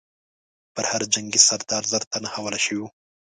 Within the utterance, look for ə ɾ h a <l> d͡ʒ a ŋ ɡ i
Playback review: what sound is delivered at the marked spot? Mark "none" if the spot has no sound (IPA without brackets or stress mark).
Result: ɾ